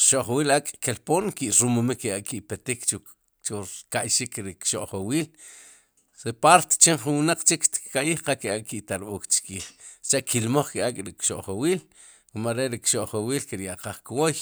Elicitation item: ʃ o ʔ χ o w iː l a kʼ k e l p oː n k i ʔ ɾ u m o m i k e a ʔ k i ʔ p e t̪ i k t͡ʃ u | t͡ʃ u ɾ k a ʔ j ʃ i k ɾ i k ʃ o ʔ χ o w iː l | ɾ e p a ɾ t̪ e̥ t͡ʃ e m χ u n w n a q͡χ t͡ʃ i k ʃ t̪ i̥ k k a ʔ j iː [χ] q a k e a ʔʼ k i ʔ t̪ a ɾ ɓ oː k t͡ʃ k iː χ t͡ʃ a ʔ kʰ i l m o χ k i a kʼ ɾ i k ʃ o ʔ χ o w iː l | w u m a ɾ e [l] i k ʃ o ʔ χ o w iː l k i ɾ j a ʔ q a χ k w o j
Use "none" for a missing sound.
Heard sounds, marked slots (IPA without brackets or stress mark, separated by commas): χ, ɾ